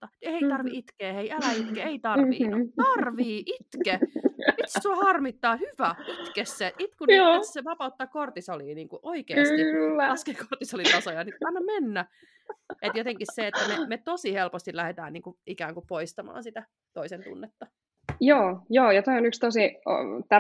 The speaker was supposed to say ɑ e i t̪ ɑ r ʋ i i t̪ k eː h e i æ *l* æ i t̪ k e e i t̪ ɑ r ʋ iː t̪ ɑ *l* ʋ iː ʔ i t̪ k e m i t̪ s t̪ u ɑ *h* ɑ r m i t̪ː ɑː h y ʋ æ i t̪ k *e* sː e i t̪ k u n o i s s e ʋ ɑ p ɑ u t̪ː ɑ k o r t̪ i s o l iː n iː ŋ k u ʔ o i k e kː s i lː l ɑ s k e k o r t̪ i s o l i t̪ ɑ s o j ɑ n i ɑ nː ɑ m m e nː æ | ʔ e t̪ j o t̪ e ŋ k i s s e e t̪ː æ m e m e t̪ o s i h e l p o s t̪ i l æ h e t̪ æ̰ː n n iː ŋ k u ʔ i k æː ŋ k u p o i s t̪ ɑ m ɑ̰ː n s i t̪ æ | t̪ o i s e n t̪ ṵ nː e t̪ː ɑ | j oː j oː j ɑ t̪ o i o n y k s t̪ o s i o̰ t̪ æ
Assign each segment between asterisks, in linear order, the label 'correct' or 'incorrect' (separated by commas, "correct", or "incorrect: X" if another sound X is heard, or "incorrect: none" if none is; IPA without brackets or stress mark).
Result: correct, incorrect: r, correct, correct